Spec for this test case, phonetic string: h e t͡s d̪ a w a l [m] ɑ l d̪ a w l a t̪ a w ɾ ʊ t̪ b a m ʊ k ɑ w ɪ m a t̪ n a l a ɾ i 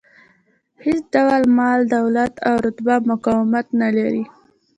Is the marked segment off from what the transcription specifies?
no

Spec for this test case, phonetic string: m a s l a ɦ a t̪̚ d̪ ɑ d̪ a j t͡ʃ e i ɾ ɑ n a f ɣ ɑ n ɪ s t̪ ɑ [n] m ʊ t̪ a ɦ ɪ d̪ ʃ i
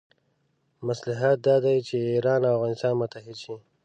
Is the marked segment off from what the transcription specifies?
no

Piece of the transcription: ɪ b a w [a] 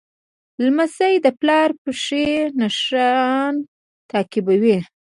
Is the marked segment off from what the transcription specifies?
yes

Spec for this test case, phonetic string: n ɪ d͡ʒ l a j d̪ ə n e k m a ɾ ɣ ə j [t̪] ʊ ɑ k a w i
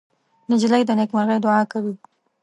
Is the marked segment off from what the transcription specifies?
yes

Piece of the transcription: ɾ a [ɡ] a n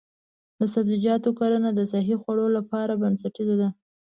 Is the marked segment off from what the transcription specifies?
yes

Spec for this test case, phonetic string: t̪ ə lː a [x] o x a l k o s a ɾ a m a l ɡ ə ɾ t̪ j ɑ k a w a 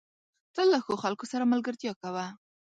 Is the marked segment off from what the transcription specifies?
no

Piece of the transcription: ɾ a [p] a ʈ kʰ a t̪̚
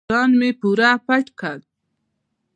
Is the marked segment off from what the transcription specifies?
no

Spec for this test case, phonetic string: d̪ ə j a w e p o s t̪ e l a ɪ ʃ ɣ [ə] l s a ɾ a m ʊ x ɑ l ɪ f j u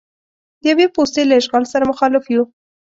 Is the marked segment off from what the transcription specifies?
yes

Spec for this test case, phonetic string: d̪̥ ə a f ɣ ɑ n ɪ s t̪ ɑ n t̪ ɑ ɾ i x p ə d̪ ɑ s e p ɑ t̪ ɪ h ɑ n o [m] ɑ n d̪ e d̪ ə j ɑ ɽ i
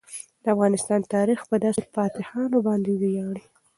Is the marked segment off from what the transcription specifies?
yes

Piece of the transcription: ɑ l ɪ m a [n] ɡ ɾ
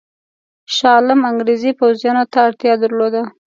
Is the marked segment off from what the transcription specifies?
yes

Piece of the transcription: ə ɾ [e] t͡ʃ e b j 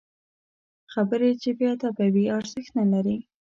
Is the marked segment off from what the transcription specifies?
no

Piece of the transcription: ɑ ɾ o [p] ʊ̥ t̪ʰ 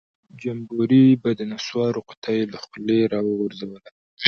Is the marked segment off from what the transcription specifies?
yes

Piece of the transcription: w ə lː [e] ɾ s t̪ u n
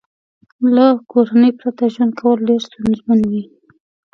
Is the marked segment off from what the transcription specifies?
no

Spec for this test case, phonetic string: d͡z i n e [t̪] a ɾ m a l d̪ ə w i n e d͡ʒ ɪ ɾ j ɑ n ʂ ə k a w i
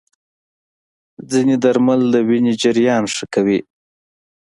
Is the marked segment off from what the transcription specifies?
yes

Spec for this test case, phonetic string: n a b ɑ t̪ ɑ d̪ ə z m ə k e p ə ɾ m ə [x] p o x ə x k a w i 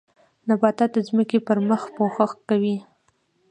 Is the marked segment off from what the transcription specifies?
no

